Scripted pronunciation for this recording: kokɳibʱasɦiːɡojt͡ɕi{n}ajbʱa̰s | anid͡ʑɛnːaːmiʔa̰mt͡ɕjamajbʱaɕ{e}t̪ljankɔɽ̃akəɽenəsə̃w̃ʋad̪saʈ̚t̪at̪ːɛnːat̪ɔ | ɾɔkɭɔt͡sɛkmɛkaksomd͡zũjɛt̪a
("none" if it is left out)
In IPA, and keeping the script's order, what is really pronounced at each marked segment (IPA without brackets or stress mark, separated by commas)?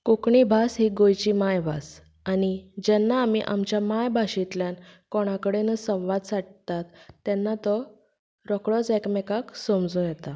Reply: m, i